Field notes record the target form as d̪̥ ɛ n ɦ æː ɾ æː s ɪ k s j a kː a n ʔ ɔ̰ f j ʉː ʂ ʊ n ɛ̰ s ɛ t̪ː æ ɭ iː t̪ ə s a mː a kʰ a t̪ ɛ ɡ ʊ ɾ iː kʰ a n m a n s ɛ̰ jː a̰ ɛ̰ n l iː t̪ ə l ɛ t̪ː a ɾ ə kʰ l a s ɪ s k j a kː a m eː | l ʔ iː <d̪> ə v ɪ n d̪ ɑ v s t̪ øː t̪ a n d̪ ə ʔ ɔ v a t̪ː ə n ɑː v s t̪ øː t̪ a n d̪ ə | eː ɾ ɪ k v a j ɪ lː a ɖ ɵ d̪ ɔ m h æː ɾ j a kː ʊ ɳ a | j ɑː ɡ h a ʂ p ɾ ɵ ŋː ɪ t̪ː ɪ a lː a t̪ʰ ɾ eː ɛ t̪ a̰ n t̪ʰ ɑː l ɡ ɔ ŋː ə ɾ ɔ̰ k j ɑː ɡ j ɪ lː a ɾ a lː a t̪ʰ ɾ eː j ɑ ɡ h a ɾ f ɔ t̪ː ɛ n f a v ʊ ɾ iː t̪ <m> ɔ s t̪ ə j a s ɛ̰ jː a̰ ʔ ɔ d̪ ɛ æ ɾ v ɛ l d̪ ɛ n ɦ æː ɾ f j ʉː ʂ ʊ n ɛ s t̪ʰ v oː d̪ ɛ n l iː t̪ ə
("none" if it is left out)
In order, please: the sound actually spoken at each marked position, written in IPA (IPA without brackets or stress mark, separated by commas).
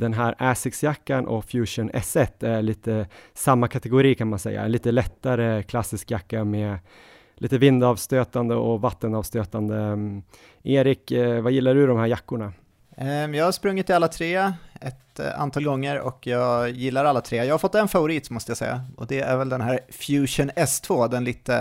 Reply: t̪, m